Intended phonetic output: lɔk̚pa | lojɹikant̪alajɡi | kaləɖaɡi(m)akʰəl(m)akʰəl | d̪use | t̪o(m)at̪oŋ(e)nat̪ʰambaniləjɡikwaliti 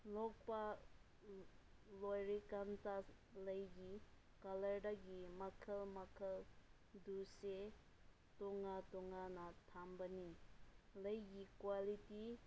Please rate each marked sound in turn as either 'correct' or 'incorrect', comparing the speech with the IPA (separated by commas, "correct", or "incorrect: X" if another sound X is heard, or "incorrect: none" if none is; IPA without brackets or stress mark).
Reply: correct, correct, incorrect: ŋ, incorrect: a